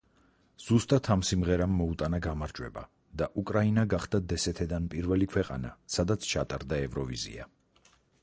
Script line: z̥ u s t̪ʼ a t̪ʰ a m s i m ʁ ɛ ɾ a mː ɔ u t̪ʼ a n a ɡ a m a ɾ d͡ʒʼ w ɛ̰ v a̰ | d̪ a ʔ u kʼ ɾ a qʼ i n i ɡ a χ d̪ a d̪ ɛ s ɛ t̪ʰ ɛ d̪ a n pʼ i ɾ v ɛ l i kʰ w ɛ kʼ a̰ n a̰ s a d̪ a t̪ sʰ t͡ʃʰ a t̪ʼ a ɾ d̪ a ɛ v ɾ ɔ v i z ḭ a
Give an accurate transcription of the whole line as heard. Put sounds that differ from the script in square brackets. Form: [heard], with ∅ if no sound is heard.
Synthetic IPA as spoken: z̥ u s t̪ʼ a t̪ʰ a m s i m ʁ ɛ ɾ a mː ɔ u t̪ʼ a n a ɡ a m a ɾ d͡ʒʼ w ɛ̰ [b] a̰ | d̪ a ʔ u kʼ ɾ a [∅] i n [a] ɡ a χ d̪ a d̪ ɛ s ɛ t̪ʰ ɛ d̪ a n pʼ i ɾ v ɛ l i kʰ w ɛ [qʼ] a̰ n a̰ s a d̪ a t̪ sʰ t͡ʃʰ a t̪ʼ a ɾ d̪ a ɛ v ɾ ɔ v i z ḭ a